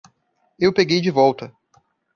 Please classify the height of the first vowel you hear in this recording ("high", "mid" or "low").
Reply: mid